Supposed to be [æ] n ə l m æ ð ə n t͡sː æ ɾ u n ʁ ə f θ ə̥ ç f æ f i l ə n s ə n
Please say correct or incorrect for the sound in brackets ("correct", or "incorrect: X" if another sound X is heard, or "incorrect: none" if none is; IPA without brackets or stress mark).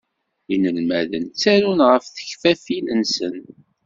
incorrect: i